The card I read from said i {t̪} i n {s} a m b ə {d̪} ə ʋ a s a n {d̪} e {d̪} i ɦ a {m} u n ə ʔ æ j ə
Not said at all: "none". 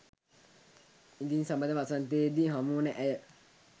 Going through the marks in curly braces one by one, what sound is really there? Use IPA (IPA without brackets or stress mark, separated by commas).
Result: d̪, s, d̪, t̪, d̪, m